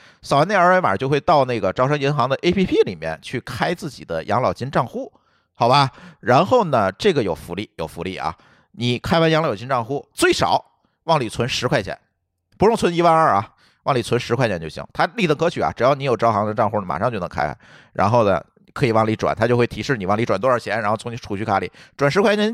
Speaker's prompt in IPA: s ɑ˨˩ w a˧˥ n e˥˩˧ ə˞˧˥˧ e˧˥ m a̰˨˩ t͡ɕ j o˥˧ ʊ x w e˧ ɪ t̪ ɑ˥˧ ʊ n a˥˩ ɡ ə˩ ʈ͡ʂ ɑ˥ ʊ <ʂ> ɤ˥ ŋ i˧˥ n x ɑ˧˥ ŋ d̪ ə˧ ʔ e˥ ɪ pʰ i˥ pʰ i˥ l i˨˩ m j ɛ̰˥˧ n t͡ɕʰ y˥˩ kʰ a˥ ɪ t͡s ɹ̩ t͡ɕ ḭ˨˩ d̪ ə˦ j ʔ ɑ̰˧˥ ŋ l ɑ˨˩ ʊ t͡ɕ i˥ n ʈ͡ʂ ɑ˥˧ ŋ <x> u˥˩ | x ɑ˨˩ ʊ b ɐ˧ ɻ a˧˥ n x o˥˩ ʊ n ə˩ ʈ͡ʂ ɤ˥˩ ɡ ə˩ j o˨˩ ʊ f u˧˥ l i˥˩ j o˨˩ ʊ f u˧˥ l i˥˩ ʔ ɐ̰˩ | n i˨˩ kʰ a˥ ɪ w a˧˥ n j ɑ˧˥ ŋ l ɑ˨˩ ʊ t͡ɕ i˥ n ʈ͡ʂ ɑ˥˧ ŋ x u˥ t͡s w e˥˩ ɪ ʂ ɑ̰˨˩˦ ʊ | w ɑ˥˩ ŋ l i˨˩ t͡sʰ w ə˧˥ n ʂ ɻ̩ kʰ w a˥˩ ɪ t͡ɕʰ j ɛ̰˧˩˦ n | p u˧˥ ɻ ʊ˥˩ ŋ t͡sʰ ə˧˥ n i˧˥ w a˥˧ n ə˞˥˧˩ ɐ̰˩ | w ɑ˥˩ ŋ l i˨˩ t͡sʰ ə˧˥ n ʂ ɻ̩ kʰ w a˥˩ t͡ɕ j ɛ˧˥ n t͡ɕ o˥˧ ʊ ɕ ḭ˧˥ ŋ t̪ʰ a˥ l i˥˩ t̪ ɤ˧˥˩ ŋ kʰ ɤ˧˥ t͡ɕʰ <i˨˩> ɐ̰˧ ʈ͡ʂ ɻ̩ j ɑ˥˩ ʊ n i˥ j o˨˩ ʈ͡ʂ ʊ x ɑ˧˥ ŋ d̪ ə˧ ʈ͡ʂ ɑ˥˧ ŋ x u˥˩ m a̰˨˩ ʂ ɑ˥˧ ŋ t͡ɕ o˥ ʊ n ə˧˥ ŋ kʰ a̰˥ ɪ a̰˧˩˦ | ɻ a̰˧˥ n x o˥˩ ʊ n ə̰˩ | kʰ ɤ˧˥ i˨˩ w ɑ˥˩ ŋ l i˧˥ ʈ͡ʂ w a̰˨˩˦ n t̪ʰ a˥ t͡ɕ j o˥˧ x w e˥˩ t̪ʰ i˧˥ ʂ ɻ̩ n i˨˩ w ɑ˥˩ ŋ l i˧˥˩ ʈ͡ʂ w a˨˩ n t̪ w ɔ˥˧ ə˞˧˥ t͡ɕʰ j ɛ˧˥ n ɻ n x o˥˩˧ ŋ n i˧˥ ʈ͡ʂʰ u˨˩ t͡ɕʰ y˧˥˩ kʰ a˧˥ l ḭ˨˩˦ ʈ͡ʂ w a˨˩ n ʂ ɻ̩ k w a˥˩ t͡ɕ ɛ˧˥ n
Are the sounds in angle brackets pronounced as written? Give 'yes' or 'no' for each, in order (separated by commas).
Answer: yes, yes, no